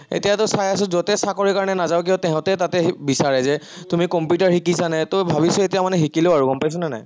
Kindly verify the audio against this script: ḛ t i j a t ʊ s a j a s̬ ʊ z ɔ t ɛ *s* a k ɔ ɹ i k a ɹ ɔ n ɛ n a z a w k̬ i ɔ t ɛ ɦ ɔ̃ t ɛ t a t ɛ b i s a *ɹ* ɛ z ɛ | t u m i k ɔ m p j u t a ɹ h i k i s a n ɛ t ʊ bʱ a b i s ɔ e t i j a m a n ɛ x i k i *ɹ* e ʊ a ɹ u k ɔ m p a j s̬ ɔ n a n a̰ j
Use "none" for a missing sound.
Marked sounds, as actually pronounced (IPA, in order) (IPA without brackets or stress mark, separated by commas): s, ɹ, l